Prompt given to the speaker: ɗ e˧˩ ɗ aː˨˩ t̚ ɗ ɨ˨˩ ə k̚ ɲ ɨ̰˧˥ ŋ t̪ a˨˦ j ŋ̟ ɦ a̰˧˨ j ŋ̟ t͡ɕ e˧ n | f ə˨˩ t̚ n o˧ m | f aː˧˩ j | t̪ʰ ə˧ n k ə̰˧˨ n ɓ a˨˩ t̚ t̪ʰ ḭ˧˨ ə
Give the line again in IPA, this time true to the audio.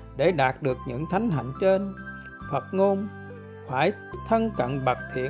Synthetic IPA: ɗ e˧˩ ɗ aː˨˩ t̚ ɗ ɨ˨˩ ə k̚ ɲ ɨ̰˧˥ ŋ t̪ʰ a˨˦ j ŋ̟ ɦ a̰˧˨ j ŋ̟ t͡ɕ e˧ n | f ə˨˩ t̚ ŋ o˧ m | f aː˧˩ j | t̪ʰ ə˧ n k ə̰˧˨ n ɓ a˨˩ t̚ t̪ʰ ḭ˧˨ ə